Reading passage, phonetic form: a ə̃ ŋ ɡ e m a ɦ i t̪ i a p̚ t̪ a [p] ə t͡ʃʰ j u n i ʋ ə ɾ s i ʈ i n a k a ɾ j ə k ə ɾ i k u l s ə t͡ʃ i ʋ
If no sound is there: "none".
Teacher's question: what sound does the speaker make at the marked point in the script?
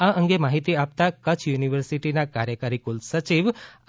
k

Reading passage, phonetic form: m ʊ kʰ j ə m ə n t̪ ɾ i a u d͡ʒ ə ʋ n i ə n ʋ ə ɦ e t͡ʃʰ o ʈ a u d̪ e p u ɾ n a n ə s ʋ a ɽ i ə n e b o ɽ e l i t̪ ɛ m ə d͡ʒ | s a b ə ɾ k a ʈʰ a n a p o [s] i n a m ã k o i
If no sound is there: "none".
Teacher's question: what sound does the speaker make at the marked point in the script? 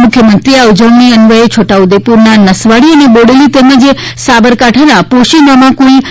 ʃ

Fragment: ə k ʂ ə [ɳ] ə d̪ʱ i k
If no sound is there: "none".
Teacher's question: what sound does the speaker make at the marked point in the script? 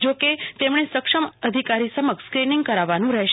m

